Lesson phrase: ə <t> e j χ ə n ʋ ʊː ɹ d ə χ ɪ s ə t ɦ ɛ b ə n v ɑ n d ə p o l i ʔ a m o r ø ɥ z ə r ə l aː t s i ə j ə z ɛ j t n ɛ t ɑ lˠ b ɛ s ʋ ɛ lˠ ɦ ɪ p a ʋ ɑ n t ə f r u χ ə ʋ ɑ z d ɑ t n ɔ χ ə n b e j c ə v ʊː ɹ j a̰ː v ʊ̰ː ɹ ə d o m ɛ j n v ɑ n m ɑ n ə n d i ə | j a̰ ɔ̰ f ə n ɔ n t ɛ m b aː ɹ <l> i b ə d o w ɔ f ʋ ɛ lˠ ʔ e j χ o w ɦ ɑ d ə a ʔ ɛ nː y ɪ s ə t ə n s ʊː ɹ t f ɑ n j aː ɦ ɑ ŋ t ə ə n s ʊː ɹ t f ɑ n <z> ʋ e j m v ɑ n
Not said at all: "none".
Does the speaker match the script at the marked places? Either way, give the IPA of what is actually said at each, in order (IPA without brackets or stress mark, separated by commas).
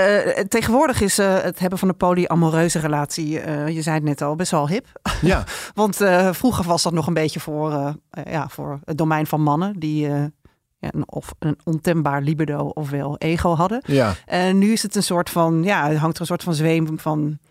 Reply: t, l, z